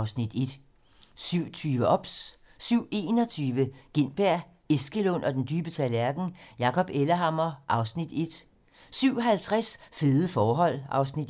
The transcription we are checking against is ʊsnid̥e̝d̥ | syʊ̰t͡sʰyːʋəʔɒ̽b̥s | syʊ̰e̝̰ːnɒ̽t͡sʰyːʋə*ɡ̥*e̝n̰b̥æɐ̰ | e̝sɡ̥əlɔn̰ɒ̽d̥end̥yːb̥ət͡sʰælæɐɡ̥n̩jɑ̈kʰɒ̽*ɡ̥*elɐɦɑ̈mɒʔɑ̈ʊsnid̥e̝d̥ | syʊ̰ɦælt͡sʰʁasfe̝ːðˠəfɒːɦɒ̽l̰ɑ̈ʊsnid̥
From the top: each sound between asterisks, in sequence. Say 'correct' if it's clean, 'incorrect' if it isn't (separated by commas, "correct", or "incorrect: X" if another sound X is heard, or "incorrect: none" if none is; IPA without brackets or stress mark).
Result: correct, incorrect: b̥